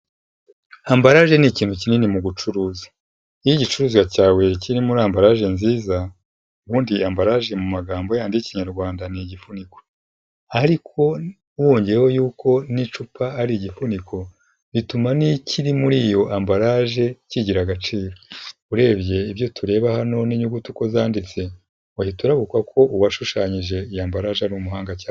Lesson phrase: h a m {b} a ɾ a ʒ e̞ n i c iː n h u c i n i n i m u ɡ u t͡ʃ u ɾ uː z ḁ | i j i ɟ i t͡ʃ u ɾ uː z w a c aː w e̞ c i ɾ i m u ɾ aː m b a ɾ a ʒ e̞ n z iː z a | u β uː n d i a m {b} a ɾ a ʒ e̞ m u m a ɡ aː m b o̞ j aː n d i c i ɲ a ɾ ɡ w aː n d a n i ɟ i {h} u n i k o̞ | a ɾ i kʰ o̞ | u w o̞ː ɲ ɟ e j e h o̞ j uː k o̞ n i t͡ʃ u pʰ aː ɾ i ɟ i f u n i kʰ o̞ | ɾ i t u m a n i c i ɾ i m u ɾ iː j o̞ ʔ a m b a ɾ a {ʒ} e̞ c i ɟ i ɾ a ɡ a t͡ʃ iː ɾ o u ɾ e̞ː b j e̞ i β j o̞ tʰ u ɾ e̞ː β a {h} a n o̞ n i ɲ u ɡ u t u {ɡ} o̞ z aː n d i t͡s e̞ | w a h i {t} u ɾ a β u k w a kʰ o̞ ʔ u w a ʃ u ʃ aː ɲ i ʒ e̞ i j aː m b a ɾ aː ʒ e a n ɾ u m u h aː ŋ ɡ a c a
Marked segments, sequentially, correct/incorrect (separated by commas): correct, correct, incorrect, correct, correct, incorrect, correct